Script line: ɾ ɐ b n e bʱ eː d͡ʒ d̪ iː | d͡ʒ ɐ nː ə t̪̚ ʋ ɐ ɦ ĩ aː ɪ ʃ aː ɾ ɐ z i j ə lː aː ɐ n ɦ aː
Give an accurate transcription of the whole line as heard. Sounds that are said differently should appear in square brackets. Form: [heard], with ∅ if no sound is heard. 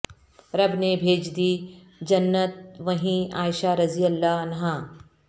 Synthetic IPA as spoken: ɾ ɐ b n e bʱ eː d͡ʒ d̪ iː | d͡ʒ ɐ nː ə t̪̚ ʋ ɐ ɦ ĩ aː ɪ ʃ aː ɾ ɐ z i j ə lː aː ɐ n ɦ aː